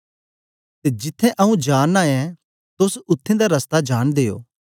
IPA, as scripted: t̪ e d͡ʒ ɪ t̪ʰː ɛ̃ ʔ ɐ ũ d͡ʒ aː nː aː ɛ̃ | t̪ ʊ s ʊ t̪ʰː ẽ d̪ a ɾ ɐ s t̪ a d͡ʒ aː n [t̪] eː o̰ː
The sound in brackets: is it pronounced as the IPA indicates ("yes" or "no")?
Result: no